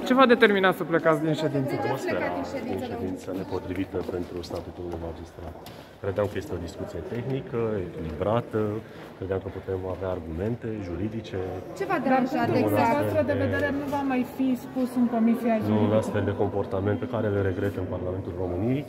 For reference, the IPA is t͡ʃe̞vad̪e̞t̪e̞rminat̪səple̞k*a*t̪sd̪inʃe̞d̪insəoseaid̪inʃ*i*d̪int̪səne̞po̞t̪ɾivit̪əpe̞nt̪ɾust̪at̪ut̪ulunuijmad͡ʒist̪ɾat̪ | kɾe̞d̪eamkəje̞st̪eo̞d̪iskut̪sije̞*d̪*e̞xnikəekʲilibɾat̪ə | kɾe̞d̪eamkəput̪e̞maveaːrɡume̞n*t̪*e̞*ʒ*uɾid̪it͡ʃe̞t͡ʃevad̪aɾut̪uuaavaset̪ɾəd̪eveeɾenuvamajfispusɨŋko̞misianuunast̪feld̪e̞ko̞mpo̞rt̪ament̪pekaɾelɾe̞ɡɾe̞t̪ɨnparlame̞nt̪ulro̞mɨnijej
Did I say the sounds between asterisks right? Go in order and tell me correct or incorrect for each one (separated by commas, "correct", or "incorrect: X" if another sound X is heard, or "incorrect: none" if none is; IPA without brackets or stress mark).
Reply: correct, incorrect: e, incorrect: t̪, correct, correct